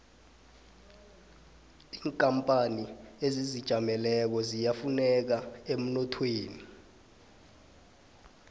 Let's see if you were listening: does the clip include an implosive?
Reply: no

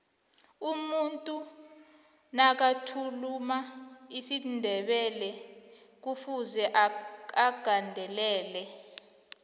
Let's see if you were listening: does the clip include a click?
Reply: no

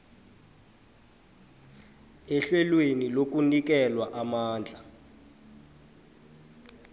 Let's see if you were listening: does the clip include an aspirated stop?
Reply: no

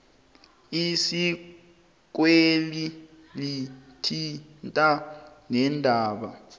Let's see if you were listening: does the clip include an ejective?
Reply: yes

